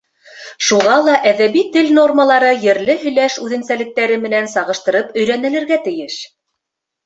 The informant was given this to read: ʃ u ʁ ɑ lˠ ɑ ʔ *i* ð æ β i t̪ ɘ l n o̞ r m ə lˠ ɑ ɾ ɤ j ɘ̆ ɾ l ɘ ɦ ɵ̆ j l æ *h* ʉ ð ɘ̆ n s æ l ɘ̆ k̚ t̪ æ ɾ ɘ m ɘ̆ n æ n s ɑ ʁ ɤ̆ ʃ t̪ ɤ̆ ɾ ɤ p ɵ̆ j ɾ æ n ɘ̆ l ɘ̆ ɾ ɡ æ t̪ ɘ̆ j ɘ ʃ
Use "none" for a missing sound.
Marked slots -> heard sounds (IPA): æ, ʃ

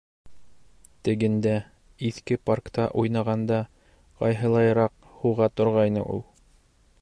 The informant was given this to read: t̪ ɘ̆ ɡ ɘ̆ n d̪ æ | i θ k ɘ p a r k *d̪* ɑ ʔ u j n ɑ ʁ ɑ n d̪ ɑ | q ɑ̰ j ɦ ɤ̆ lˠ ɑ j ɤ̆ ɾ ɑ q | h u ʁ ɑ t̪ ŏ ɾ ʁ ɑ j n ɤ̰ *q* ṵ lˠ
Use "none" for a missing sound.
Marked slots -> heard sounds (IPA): t̪, ʔ

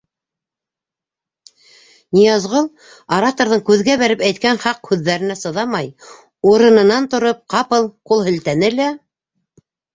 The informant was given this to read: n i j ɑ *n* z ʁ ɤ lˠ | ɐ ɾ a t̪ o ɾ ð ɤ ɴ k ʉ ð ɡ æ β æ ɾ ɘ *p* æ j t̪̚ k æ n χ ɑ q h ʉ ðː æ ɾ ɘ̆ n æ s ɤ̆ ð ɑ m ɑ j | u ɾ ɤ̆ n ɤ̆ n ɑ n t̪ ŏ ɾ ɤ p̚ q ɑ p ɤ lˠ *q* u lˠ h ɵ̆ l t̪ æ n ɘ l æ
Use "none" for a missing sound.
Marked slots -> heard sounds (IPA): none, p, q

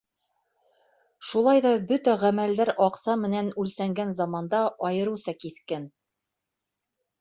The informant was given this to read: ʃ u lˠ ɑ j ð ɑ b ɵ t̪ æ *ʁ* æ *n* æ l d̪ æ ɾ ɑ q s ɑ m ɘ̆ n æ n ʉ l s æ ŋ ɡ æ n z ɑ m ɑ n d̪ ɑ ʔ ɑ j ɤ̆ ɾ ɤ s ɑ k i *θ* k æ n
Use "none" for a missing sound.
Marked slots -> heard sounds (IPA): ʁ, m, θ

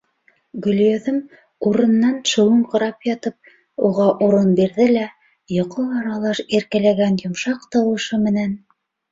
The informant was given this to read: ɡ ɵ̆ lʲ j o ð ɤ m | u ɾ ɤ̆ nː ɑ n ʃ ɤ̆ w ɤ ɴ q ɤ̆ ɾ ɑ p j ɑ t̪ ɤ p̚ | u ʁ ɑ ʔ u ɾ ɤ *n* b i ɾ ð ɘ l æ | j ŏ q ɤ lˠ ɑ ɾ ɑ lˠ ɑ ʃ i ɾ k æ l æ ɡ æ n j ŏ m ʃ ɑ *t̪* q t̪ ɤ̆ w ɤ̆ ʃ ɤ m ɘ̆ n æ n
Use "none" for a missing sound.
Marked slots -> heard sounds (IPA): n, none

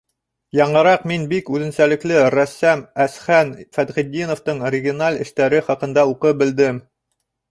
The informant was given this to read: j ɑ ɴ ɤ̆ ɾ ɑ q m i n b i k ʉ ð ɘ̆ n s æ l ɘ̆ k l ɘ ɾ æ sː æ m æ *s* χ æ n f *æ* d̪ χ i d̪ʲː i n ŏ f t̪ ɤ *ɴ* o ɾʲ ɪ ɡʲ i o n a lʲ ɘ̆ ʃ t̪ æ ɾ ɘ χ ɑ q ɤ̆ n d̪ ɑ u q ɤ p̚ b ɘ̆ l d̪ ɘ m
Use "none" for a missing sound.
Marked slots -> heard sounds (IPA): s, æ, ɴ

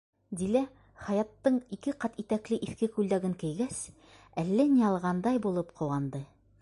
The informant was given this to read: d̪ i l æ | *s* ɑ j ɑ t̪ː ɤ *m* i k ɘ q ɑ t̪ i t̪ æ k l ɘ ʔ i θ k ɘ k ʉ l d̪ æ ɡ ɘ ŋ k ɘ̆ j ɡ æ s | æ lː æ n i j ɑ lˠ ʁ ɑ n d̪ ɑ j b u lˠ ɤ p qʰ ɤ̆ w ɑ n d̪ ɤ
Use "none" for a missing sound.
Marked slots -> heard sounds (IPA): χ, ɴ

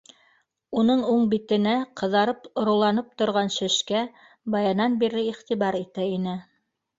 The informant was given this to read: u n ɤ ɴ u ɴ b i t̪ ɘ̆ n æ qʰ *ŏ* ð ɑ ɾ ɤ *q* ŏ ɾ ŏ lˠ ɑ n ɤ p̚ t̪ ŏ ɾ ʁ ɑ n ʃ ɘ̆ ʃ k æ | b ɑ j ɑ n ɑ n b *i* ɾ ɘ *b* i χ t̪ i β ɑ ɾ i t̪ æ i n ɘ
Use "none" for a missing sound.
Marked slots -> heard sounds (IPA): ɤ̆, p, i, none

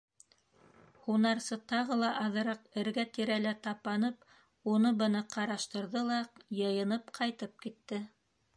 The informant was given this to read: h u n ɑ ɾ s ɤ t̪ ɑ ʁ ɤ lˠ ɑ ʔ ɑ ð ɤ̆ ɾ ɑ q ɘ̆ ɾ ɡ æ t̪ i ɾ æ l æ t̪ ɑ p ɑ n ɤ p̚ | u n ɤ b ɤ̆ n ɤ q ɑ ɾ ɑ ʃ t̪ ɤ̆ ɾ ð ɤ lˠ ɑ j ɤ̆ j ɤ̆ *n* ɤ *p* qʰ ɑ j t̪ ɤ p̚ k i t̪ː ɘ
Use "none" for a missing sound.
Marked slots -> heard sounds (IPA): n, p

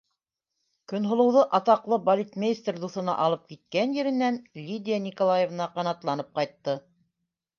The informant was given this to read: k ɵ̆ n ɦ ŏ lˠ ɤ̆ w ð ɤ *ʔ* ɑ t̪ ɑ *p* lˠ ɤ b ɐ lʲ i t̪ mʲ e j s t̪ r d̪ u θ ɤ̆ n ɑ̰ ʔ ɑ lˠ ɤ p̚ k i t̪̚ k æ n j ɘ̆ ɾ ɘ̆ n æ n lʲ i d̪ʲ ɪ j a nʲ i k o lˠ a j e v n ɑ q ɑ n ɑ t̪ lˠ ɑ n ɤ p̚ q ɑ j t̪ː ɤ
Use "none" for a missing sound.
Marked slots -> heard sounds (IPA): ʔ, q

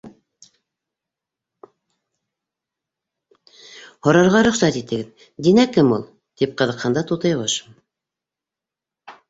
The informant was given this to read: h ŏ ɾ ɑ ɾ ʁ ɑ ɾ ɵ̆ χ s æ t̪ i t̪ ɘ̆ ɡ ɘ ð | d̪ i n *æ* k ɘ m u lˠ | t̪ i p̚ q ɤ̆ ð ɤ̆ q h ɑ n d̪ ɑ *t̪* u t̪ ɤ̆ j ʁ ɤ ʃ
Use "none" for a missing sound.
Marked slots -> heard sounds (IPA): æ, t̪

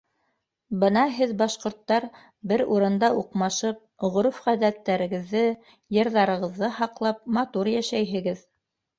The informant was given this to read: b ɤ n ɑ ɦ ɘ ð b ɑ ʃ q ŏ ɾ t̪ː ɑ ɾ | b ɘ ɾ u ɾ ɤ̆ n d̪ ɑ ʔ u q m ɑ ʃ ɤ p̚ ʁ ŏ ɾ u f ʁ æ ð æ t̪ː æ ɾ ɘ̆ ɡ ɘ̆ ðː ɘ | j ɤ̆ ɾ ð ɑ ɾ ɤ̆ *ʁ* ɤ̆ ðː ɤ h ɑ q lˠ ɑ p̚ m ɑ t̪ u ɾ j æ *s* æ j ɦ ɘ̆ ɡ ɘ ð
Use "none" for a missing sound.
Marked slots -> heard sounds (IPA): ʁ, ʃ

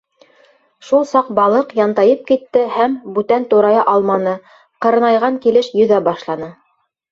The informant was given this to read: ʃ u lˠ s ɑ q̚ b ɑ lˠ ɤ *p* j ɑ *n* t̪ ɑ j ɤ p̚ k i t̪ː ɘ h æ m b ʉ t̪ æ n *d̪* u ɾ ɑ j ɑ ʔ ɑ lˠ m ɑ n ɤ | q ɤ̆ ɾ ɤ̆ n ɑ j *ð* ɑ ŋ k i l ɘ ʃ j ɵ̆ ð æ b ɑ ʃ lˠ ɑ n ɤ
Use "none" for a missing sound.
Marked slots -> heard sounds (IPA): q, n, t̪, ʁ

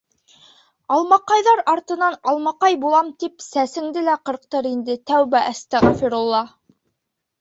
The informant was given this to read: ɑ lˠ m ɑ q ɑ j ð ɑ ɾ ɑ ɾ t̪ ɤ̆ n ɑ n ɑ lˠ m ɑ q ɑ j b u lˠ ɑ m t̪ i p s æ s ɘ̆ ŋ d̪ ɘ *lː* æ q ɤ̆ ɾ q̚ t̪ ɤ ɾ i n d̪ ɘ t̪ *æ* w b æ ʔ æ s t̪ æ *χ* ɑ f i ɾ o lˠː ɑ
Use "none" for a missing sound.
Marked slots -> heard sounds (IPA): l, æ, ʁ

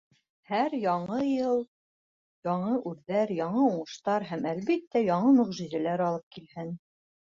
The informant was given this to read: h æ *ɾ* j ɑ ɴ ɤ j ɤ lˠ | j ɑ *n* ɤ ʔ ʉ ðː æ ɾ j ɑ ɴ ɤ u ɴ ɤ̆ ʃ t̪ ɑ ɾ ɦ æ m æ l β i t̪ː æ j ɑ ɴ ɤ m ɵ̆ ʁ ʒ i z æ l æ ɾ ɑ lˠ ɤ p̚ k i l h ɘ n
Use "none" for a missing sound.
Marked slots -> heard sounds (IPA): ɾ, ɴ

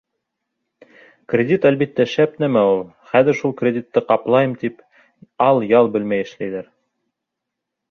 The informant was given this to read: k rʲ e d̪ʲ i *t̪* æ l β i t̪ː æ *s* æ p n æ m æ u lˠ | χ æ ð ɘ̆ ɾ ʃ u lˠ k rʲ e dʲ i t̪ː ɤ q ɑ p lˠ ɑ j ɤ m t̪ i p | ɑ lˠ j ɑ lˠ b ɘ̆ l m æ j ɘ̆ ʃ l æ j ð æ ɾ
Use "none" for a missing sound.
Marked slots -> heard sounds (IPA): t̪, ʃ

